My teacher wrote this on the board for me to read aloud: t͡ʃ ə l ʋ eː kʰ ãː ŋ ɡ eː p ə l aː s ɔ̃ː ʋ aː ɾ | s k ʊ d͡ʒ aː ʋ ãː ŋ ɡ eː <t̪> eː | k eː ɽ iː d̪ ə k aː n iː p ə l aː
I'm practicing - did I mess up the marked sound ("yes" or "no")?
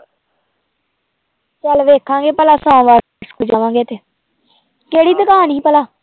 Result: no